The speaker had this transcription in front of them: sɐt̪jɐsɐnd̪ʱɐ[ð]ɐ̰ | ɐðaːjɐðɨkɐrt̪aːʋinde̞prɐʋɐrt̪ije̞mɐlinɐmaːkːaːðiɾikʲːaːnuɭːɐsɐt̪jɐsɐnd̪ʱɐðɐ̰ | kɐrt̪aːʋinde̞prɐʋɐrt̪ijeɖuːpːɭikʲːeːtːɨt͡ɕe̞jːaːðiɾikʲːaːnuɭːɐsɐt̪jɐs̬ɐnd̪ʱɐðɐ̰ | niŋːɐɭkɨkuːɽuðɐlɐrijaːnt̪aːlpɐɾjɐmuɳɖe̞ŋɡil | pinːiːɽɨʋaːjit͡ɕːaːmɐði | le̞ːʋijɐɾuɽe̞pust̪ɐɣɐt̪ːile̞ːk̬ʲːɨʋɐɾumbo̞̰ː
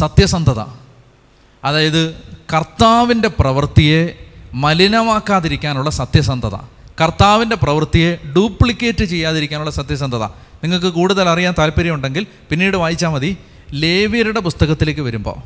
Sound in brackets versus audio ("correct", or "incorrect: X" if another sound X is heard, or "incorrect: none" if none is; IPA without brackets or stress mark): correct